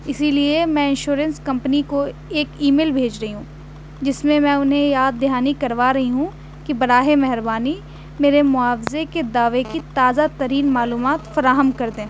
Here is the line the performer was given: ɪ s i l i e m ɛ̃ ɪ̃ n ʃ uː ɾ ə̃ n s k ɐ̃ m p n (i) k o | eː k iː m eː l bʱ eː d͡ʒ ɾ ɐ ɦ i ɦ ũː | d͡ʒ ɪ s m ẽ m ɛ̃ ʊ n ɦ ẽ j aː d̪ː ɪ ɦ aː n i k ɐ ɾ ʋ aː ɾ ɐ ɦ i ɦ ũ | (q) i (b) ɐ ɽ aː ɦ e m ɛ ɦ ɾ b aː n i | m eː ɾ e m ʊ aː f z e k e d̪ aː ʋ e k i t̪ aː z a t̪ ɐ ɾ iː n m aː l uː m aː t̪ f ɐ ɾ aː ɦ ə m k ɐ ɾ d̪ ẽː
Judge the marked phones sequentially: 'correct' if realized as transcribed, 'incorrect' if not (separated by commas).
correct, incorrect, correct